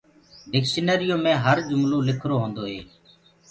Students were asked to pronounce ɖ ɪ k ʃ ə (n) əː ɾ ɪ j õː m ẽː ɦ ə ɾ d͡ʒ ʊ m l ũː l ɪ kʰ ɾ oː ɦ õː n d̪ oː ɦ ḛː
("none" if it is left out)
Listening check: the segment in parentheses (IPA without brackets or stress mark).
n